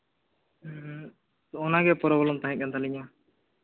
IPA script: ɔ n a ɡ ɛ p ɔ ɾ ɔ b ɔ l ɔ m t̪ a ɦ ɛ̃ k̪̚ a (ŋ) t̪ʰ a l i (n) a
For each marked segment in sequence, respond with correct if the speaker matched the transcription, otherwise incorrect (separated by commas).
incorrect, incorrect